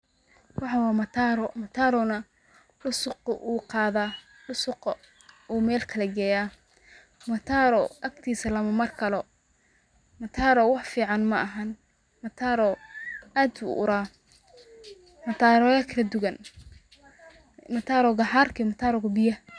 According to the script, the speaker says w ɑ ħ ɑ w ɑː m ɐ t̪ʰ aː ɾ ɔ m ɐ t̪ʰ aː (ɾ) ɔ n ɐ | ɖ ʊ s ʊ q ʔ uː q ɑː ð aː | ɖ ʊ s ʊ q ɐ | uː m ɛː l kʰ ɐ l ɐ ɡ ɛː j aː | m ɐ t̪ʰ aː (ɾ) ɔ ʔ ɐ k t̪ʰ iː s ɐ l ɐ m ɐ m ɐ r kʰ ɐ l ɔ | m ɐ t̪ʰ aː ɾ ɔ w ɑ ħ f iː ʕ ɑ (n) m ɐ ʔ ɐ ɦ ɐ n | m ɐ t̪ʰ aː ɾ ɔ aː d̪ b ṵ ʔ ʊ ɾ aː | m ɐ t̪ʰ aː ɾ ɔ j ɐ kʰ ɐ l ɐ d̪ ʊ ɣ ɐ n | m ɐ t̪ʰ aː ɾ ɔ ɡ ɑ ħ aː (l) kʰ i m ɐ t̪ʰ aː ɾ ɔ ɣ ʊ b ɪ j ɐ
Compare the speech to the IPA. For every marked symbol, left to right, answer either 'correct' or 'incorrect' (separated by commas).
correct, correct, correct, incorrect